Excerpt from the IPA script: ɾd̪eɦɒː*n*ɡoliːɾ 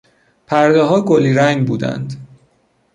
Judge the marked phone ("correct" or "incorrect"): incorrect